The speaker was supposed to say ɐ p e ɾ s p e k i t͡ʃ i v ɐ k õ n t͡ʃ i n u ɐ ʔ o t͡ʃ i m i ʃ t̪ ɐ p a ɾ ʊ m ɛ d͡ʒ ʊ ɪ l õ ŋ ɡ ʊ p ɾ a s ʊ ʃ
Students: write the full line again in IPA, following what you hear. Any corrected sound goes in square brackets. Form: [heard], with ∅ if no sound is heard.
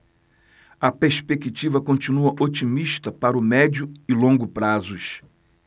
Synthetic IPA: ɐ p e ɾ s p e k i t͡ʃ i v ɐ k õ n t͡ʃ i n u ɐ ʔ o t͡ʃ i m i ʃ t̪ ɐ p a ɾ ʊ m ɛ d͡ʒ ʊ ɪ l õ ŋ ɡ ʊ p ɾ a [z] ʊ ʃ